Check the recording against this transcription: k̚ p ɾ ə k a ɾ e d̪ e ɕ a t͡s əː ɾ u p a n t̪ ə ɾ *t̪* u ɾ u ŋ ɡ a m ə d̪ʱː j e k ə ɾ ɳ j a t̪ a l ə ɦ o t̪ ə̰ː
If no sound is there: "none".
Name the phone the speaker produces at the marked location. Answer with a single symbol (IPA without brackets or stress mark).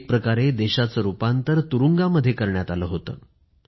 t̪